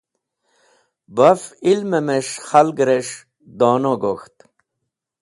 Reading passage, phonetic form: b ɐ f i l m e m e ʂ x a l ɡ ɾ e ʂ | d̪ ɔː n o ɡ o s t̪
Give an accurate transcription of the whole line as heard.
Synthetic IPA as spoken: b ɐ f i l m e m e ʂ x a l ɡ ɾ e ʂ | d̪ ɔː n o ɡ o x t̪